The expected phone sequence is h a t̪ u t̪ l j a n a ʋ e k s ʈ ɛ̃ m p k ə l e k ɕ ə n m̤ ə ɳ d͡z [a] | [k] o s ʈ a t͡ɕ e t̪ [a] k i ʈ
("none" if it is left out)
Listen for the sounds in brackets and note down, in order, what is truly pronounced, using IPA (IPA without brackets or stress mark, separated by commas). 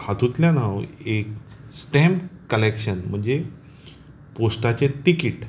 e, p, i